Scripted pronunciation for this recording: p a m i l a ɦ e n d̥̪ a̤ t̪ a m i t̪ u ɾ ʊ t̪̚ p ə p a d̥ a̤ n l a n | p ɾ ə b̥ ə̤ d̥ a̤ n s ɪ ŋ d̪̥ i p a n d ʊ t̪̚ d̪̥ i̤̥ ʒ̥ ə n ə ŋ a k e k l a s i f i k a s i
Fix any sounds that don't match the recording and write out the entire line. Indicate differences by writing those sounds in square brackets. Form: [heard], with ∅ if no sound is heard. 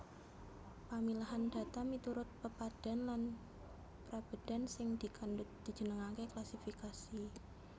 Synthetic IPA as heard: p a m i l a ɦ [a] n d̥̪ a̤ t̪ a m i t̪ u ɾ ʊ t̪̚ p ə p a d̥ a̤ n l a n | p ɾ [a] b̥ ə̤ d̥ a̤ n s ɪ ŋ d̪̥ i [k] a n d ʊ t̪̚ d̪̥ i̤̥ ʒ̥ ə n ə ŋ a k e k l a s i f i k a s i